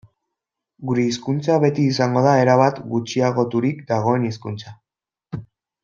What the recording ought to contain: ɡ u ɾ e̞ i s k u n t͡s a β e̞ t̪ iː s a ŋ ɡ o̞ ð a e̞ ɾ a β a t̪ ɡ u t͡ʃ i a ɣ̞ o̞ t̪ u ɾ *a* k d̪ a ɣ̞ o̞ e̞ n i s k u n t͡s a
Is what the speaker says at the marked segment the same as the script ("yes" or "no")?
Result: no